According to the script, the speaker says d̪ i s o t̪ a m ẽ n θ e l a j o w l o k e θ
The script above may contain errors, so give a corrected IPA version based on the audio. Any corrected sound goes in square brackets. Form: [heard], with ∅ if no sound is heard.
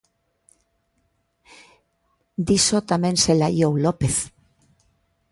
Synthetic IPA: d̪ i s o t̪ a m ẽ n [s] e l a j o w l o [p] e θ